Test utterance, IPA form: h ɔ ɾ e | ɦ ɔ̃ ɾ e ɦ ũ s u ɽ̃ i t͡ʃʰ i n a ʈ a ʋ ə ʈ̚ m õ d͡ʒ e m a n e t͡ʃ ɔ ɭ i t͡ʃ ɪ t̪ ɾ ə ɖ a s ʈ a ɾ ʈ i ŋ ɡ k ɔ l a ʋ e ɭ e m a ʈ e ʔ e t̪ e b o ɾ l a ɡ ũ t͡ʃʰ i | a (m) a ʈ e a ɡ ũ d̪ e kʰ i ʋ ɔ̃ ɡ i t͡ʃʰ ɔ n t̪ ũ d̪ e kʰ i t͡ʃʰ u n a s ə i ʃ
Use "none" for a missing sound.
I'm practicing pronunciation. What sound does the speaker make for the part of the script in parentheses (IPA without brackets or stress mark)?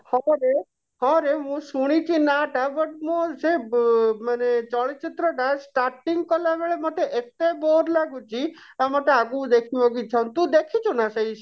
m